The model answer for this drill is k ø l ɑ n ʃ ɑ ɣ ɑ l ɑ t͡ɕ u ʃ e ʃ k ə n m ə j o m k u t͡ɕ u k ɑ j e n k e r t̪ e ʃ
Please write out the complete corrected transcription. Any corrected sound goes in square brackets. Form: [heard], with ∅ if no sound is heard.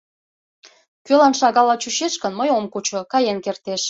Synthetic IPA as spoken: k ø l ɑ n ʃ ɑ ɣ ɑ l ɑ t͡ɕ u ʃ e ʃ k ə n m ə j o m k u t͡ɕ [o] k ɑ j e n k e r t̪ e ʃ